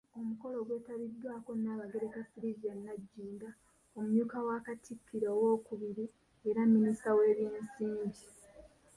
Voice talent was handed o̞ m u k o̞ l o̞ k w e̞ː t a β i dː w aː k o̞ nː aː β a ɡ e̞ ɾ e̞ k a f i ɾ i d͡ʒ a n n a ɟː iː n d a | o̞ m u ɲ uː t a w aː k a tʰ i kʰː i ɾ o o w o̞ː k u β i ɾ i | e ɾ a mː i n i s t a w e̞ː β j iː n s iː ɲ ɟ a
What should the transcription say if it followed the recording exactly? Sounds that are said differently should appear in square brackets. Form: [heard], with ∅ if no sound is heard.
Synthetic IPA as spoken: o̞ m u k o̞ l o̞ [ɡ] w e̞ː t a β i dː w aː k o̞ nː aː β a ɡ e̞ ɾ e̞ k a f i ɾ i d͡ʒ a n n a ɟː iː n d a | o̞ m u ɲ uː [k] a w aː k a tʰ i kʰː i ɾ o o w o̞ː k u β i ɾ i | e ɾ a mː i n i s t a w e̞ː β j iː n s iː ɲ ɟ [i]